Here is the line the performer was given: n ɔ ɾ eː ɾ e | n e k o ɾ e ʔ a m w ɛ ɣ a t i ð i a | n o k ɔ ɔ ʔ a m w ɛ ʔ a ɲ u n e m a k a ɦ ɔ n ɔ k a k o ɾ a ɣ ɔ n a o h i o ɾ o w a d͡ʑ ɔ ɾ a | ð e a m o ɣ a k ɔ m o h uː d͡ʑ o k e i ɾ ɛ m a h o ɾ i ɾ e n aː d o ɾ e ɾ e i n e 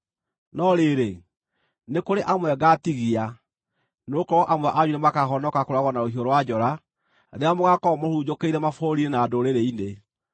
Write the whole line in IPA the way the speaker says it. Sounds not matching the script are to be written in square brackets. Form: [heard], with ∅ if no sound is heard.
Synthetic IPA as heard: n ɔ ɾ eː ɾ e | n e k o ɾ e ʔ a m w ɛ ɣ a t i [ɣ] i a | n o k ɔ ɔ ʔ a m w ɛ ʔ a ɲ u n e m a k a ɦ ɔ n ɔ k a k o ɾ a ɣ ɔ n a o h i o ɾ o w a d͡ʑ ɔ ɾ a | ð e a m o ɣ a k ɔ m o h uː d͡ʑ o k e i ɾ ɛ m a [f] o ɾ i ɾ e n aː d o ɾ e ɾ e i n e